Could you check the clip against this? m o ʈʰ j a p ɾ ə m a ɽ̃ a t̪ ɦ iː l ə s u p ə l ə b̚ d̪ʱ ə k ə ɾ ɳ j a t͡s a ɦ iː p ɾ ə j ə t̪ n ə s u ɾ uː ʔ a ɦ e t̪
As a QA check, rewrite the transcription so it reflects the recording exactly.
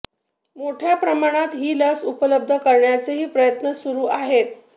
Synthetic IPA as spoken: m o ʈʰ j a p ɾ ə m a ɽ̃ a t̪ ɦ iː l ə s u p ə l ə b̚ d̪ʱ ə k ə ɾ ɳ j a t͡s e ɦ iː p ɾ ə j ə t̪ n ə s u ɾ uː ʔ a ɦ e t̪